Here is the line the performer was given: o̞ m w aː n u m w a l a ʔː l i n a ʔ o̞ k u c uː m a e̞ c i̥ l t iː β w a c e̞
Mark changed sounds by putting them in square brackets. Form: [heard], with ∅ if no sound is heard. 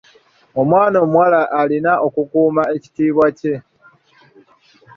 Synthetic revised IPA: o̞ m w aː n [o] m w a l a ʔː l i n a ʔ o̞ k u [k] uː m a e̞ c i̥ [∅] t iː β w a c e̞